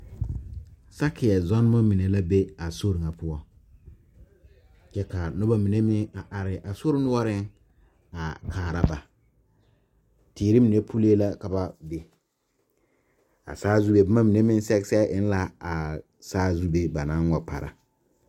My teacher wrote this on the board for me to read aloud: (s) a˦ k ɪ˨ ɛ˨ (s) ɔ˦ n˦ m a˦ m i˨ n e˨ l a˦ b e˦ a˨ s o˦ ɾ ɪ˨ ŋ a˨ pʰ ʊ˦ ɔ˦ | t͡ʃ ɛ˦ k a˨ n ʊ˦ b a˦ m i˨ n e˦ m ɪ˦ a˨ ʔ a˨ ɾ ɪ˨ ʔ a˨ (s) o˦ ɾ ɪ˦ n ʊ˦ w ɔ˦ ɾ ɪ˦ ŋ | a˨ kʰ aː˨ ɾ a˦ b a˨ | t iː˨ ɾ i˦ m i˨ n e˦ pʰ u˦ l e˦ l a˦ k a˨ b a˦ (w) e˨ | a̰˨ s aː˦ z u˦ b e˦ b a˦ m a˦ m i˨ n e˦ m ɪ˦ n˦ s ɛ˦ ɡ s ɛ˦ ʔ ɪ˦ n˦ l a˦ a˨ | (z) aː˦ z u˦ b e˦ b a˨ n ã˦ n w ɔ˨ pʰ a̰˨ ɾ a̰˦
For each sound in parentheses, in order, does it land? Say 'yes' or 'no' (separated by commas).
yes, no, yes, no, no